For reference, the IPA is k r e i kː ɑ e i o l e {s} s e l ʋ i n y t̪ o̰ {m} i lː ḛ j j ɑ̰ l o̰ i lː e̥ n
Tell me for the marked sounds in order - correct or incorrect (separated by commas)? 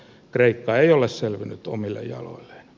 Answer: correct, correct